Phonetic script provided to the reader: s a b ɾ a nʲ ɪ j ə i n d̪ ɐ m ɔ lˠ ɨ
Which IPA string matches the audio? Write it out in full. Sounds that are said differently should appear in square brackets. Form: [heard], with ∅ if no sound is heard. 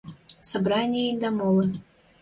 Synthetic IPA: s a b ɾ a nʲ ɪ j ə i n d̪ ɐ m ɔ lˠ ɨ